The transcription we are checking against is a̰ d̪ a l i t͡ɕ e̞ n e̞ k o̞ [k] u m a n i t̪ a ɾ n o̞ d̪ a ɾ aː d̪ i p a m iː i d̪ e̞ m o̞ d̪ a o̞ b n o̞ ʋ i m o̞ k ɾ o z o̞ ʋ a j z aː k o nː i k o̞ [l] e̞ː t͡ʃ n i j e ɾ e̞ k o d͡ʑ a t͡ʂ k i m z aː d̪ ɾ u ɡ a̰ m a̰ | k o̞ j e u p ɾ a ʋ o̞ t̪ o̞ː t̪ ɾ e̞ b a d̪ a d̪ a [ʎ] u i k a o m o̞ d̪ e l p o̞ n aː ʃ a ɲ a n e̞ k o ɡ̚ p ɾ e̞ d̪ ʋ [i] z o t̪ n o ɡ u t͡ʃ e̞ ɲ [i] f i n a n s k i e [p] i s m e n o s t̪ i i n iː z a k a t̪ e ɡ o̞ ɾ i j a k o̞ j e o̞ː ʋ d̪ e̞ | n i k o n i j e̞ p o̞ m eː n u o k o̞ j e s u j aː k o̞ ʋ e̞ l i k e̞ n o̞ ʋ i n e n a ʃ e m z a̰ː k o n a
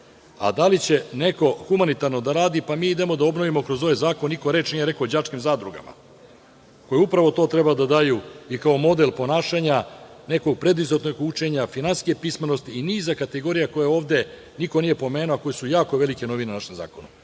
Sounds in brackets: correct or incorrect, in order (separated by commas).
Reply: incorrect, incorrect, incorrect, correct, incorrect, correct